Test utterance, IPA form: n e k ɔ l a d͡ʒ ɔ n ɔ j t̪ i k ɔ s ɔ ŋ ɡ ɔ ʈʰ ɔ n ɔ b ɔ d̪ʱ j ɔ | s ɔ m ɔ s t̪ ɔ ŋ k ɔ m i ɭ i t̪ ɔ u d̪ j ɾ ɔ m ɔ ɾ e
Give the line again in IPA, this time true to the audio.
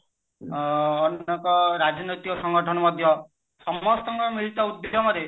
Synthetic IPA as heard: n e k ɔ ɾ a d͡ʒ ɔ n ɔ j t̪ i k ɔ s ɔ ŋ ɡ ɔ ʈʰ ɔ n ɔ m ɔ d̪ʱ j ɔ | s ɔ m ɔ s t̪ ɔ ŋ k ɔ m i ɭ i t̪ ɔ u d̪ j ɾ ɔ m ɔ ɾ e

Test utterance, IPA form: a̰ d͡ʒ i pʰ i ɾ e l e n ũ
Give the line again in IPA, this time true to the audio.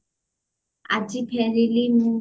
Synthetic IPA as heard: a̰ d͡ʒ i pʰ ɛ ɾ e l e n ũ

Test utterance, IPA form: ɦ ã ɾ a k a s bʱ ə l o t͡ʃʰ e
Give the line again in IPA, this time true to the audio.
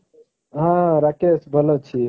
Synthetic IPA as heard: ɦ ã ɾ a k e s bʱ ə l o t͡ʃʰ i

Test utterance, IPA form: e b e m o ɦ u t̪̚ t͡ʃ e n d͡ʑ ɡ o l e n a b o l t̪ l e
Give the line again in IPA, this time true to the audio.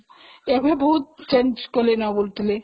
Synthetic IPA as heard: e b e b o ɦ u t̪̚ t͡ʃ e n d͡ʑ k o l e n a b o l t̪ l e

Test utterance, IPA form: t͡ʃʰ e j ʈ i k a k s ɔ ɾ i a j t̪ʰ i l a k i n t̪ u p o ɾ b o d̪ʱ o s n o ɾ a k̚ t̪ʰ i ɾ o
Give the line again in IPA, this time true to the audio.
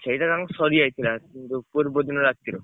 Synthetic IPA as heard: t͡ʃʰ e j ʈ a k a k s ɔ ɾ i a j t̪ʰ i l a k i n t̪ u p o ɾ b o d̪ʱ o n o ɾ a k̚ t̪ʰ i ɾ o

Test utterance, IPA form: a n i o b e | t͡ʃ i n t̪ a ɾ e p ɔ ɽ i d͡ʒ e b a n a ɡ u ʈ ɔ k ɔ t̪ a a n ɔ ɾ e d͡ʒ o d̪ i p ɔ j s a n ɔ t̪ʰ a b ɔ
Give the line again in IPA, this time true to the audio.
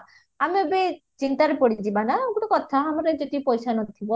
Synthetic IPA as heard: a m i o b e | t͡ʃ i n t̪ a ɾ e p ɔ ɽ i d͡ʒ i b a n a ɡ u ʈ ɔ k ɔ t̪ʰ a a m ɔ ɾ e d͡ʒ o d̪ i p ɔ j s a n ɔ t̪ʰ i b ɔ

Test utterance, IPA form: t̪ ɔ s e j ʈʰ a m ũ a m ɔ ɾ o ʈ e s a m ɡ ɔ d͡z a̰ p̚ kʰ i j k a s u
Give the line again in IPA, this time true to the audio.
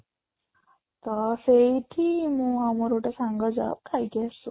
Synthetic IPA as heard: t̪ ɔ s e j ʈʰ i m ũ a m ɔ ɾ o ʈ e s a ŋ ɡ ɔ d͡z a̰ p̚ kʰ a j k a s u

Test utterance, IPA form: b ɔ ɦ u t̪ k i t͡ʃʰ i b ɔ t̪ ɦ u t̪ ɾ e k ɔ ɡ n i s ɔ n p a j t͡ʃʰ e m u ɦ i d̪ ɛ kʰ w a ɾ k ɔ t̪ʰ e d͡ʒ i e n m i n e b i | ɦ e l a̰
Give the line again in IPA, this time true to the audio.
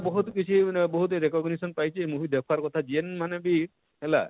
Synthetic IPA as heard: b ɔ ɦ u t̪ k i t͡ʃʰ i b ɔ ɦ u t̪ ɾ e k ɔ ɡ n i s ɔ n p a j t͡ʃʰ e m u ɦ i d̪ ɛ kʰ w a ɾ k ɔ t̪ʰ a d͡ʒ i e n m a n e b i | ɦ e l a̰

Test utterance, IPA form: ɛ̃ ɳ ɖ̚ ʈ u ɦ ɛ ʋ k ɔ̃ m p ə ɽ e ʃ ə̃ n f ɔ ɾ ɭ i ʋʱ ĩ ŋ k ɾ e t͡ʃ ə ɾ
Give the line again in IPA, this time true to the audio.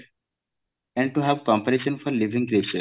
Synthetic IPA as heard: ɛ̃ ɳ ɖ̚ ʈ u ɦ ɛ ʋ k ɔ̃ m p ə ɾ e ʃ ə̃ n f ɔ ɾ l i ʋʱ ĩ ŋ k ɾ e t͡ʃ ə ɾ

